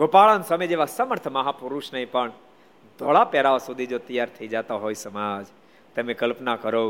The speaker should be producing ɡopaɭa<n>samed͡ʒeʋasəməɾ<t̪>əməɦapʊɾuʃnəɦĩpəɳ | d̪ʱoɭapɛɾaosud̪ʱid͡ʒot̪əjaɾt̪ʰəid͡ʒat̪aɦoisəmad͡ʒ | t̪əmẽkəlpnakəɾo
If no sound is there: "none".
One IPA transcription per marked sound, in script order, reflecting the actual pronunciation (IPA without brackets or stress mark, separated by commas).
n, t̪ʰ